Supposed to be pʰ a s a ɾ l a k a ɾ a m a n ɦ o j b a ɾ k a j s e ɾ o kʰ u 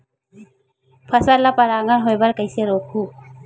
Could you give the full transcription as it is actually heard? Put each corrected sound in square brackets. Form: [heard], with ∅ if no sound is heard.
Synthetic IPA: pʰ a s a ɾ l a [p] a ɾ a [ŋ] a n ɦ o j b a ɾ k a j s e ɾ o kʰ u